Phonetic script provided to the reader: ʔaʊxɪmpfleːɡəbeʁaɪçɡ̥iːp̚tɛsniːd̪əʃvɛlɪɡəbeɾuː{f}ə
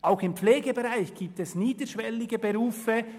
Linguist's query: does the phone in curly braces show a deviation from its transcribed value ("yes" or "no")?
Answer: no